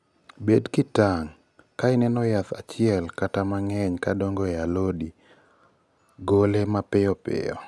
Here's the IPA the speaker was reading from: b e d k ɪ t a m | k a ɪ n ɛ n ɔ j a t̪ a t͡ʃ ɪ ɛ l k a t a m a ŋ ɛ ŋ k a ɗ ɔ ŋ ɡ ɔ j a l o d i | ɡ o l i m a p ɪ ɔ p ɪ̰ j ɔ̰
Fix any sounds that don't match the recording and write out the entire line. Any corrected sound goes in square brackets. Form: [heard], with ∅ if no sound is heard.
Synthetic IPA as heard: b e d k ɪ t a [ŋ] | k a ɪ n ɛ n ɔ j a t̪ a t͡ʃ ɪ ɛ l k a t a m a ŋ ɛ [ɲ] k a [d] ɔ ŋ ɡ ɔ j a l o d i | ɡ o l [e] m a p ɪ ɔ p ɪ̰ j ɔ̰